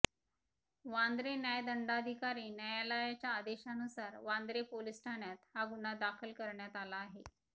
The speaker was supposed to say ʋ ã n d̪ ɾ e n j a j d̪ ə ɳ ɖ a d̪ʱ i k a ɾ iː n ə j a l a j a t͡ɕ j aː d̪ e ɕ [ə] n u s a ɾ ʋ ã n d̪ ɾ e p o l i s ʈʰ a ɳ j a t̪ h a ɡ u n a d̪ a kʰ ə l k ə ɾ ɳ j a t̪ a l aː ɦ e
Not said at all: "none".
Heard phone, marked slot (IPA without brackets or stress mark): a